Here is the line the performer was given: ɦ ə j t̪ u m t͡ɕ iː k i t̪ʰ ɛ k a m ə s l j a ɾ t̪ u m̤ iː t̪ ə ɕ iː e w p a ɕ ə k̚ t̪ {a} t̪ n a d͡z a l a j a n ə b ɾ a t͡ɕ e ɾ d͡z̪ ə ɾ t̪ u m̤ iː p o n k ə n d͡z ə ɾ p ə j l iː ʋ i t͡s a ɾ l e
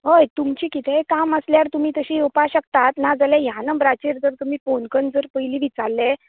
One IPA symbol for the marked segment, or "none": a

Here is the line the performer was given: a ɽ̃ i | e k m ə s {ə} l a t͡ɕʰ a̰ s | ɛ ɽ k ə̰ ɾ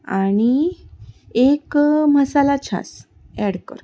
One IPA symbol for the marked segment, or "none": a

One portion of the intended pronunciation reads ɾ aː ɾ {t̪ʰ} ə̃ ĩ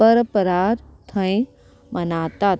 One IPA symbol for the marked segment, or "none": t̪ʰ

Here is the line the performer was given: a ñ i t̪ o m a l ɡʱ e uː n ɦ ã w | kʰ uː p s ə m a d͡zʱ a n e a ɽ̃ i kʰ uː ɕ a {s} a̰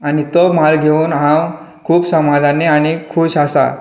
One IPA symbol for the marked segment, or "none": s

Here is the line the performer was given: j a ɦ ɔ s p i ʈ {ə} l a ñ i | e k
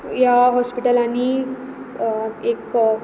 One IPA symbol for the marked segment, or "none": ə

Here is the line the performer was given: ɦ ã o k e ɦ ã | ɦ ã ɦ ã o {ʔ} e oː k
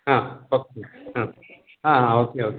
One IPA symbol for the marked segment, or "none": k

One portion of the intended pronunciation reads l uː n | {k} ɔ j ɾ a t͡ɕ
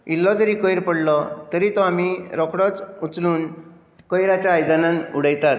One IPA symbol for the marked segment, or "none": k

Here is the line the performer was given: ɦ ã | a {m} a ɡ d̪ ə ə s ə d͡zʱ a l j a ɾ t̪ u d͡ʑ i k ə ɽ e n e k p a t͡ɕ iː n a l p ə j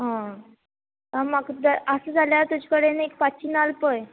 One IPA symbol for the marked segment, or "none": m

